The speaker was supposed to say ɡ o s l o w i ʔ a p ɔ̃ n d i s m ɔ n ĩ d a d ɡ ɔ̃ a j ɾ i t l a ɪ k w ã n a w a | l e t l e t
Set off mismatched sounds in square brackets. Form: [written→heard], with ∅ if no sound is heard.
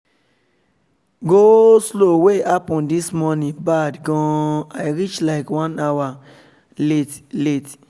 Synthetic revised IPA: ɡ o s l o w [i→e] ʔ a p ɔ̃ n d i s m ɔ n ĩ [d→b] a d ɡ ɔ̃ a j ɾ i [t→t͡ʃ] l a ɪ k w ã n a w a | l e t l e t